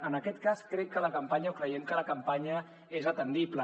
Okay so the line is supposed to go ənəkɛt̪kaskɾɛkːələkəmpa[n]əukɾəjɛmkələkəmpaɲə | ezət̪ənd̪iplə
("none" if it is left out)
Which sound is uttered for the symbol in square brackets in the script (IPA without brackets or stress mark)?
ɲ